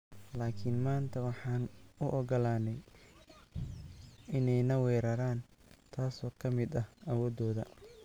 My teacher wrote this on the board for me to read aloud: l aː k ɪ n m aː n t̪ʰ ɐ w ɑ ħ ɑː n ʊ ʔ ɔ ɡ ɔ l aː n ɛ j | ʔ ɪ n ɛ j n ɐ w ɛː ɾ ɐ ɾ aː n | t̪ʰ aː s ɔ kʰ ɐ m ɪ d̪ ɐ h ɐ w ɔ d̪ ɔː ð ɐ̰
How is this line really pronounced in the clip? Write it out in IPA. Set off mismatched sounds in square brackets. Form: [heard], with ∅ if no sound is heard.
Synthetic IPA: l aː [kʰ] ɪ n m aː n t̪ʰ ɐ w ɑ ħ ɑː n ʊ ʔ ɔ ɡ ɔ l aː n ɛ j | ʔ ɪ n ɛ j n ɐ w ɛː ɾ ɐ ɾ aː n | t̪ʰ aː s [ɔː] kʰ ɐ m ɪ d̪ ɐ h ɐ w [ɔː] d̪ ɔː ð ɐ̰